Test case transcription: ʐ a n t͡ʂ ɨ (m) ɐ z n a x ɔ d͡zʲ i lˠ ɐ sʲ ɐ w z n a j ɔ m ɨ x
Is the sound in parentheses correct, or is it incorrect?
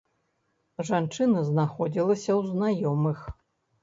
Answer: incorrect